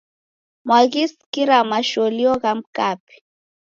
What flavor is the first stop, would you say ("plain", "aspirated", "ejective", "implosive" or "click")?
plain